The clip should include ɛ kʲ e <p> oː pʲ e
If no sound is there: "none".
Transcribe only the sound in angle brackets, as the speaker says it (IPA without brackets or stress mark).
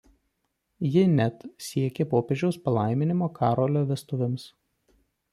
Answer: p